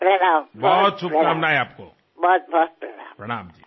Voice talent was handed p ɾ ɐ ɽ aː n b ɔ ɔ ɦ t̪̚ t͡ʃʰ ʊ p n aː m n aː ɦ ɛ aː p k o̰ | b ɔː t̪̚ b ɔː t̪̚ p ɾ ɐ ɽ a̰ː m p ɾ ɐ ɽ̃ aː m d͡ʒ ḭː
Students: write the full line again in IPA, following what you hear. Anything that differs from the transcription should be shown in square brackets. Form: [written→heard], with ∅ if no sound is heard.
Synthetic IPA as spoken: p ɾ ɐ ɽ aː [n→m] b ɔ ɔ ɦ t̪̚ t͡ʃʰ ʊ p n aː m n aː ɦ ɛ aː p k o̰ | b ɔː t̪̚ b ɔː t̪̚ p ɾ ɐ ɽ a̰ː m p ɾ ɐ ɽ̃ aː m d͡ʒ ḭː